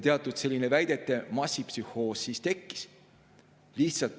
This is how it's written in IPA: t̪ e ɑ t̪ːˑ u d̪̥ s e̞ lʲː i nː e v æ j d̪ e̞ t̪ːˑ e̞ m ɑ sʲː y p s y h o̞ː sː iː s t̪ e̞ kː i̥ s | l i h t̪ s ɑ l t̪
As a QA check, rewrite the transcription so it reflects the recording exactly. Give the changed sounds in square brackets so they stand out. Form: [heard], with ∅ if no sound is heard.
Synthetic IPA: t̪ e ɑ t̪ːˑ u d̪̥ s e̞ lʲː i [n] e v æ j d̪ e̞ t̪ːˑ e̞ m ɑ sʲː [i] p s y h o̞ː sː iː s t̪ e̞ kː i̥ s | l i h t̪ s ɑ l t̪